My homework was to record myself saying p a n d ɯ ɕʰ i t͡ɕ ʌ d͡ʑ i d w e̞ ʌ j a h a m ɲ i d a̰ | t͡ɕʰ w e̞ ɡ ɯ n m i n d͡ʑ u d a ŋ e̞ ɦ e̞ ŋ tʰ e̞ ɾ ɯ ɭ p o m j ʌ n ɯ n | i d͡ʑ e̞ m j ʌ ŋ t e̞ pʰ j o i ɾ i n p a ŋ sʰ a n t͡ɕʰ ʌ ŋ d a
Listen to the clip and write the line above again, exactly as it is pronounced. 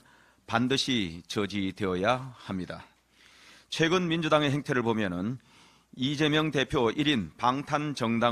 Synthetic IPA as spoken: p a n d ɯ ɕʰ i t͡ɕ ʌ d͡ʑ i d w e̞ ʌ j a h a m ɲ i d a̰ | t͡ɕʰ w e̞ ɡ ɯ n m i n d͡ʑ u d a ŋ e̞ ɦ e̞ ŋ tʰ e̞ ɾ ɯ ɭ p o m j ʌ n ɯ n | i d͡ʑ e̞ m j ʌ ŋ t e̞ pʰ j o i ɾ i n p a ŋ tʰ a n t͡ɕ ʌ ŋ d a